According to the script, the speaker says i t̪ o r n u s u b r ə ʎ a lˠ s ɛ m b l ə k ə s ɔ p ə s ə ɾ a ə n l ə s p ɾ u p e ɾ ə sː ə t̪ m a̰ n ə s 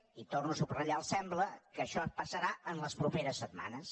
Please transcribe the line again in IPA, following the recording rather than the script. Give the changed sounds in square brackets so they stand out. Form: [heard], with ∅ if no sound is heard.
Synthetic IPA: i t̪ o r n u s u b r ə ʎ a lˠ s ɛ m b l ə k ə [ʃ] ɔ p ə s ə ɾ a ə n l ə s p ɾ u p e ɾ ə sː ə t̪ m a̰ n ə s